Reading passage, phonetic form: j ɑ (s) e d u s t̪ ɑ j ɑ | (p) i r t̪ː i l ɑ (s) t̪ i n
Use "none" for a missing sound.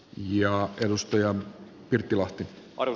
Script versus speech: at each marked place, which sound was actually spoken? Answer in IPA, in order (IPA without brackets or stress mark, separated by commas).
none, p, h